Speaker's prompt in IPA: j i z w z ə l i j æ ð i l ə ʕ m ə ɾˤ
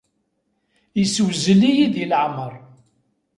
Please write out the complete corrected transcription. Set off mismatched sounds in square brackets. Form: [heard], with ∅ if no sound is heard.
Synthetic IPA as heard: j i [s] w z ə l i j [i] ð i l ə ʕ m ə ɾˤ